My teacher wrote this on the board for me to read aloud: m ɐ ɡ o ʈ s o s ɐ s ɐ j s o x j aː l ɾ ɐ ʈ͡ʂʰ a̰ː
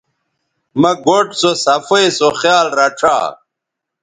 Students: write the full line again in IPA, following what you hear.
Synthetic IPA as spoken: m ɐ ɡ o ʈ s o s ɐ f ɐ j s o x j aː l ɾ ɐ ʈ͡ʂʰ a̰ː